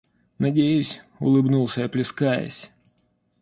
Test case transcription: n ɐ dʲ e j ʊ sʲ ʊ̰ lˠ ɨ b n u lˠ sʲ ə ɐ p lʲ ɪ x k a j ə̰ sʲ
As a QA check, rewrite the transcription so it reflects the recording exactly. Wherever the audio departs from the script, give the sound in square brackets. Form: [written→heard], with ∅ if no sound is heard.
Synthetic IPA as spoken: n ɐ dʲ e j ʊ sʲ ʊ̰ lˠ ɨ b n u lˠ sʲ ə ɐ p lʲ ɪ [x→s] k a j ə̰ sʲ